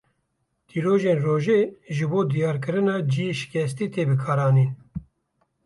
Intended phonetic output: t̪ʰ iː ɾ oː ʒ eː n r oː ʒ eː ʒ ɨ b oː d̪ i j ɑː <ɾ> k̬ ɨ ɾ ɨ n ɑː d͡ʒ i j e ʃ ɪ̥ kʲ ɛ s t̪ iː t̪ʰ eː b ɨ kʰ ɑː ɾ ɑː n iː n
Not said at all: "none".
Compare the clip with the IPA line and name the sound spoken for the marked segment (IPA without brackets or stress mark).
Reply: ɾ